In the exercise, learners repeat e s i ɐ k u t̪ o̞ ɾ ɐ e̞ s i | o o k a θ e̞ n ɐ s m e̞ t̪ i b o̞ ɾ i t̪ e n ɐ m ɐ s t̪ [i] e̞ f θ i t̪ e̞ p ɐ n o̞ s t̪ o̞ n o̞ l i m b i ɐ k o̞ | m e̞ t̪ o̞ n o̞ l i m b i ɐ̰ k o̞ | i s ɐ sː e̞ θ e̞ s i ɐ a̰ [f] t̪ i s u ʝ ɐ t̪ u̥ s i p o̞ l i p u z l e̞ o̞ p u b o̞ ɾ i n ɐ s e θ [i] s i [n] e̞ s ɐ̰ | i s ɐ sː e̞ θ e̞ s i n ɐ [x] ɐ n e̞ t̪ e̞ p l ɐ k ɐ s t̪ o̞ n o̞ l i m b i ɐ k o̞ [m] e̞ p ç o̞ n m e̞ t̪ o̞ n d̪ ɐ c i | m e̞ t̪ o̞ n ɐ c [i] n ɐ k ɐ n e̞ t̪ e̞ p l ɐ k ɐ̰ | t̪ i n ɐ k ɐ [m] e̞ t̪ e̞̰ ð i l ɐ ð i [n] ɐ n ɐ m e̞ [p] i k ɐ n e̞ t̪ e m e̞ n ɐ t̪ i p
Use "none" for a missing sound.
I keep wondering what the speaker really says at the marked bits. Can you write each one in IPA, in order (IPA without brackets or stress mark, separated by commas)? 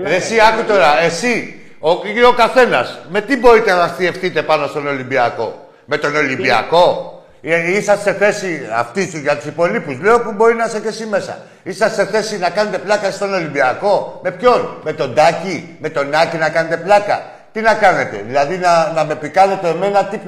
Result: i, f, e, m, k, m, i, n, n, p